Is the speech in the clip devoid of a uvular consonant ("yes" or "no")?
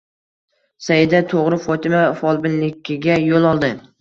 no